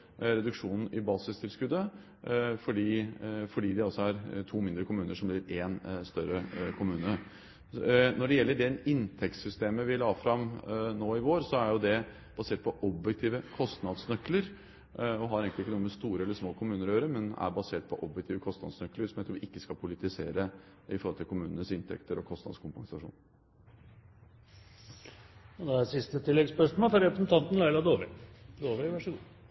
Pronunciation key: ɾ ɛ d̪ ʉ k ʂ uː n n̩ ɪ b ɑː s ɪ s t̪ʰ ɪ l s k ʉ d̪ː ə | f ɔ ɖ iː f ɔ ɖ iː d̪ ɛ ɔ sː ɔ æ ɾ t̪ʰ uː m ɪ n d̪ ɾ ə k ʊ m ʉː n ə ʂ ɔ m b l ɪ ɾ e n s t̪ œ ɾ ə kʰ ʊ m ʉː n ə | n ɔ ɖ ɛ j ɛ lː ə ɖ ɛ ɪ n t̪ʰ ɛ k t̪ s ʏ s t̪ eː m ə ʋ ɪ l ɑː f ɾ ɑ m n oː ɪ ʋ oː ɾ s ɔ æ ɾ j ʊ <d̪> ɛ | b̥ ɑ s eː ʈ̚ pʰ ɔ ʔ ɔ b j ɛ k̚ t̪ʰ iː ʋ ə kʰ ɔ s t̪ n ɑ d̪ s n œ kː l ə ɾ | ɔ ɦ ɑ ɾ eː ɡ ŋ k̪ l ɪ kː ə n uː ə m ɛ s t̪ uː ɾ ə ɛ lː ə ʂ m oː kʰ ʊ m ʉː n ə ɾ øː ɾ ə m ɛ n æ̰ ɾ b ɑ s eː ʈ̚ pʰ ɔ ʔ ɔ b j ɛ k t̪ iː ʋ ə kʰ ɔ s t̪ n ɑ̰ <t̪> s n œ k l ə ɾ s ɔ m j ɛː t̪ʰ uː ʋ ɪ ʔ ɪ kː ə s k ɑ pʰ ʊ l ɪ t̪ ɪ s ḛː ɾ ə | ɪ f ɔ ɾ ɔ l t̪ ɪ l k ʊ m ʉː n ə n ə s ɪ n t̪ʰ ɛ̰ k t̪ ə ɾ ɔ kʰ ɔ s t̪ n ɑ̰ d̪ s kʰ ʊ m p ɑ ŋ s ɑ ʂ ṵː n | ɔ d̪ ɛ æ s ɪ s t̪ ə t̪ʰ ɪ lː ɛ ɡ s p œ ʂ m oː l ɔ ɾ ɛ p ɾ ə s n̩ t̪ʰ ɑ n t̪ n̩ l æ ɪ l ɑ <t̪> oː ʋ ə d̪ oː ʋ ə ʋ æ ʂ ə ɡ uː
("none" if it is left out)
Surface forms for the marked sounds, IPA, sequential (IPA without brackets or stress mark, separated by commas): d̪, d̪, d̪